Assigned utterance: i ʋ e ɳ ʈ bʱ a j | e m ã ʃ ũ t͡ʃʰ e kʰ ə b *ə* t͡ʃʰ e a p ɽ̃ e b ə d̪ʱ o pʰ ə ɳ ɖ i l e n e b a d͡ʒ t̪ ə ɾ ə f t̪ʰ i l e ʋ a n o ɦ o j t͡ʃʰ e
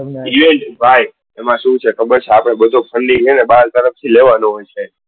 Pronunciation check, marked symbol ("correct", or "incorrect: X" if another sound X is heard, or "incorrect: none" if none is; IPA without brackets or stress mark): correct